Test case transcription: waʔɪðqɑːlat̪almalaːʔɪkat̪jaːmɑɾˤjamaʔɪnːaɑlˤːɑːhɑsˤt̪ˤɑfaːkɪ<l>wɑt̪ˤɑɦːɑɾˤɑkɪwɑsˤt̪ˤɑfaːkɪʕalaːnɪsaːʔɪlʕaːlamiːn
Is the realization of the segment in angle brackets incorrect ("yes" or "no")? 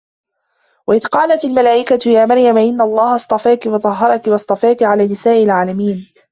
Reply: yes